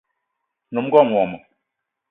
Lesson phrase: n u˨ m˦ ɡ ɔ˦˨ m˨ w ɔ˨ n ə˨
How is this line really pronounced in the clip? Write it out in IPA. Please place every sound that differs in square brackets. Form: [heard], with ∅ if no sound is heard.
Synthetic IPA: n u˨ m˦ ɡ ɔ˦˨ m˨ w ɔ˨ [m] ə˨